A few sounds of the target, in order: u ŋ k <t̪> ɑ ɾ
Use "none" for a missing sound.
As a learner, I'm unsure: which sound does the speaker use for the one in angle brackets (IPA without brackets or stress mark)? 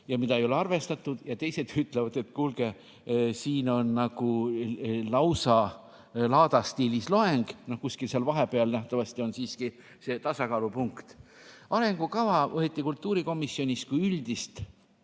t̪